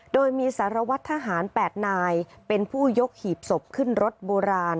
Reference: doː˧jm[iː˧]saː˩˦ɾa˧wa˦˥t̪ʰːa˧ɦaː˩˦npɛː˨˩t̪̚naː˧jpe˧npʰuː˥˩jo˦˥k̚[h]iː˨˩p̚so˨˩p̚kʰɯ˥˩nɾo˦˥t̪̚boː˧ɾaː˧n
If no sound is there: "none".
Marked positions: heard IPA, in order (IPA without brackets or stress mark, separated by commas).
iː˧, h